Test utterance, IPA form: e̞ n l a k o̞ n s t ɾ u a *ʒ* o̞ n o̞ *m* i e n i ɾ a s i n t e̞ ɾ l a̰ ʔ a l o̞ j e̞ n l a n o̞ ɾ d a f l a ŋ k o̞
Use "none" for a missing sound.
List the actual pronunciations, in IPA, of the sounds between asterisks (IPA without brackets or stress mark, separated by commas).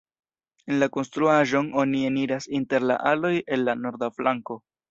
ʒ, n